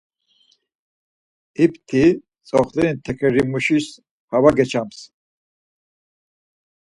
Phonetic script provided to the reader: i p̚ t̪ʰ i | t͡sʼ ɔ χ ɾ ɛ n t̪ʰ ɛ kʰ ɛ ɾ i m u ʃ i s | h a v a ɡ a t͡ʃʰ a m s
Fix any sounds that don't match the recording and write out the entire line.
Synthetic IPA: i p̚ t̪ʰ i | t͡sʼ ɔ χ l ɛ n t̪ʰ ɛ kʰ ɛ ɾ i m u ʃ i s | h a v a ɡ ɛ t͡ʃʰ a m s